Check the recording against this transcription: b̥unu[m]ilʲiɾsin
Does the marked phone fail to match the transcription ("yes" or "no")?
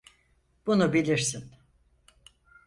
yes